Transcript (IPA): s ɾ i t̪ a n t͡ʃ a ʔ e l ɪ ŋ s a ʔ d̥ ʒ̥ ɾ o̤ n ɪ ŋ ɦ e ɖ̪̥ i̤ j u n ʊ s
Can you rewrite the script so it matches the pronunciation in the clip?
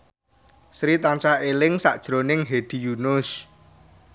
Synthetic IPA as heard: s ɾ i t̪ a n t͡ʃ a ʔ e l ɪ ŋ s a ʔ d̥ ʒ̥ ɾ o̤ n ɪ ŋ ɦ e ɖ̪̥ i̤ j u n ʊ s